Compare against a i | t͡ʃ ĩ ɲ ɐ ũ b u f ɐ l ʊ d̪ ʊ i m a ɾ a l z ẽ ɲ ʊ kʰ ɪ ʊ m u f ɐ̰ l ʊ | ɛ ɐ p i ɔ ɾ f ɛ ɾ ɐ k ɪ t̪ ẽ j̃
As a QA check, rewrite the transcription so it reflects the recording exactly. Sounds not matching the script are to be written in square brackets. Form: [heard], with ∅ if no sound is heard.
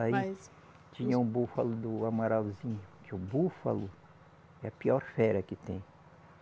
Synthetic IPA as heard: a i | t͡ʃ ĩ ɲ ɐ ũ b u f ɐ l ʊ d̪ ʊ [a] m a ɾ a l z [ĩ] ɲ ʊ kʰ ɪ ʊ [b] u f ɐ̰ l ʊ | ɛ ɐ p i ɔ ɾ f ɛ ɾ ɐ k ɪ t̪ ẽ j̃